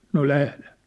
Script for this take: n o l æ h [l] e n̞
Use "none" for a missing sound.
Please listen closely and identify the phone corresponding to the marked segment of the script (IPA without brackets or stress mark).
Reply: l